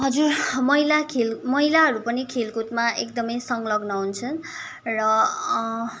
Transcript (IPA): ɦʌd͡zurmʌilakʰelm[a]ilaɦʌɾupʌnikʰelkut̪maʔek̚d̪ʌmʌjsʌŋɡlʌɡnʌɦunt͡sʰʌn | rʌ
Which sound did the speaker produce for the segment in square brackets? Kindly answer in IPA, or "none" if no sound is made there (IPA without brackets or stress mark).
ʌ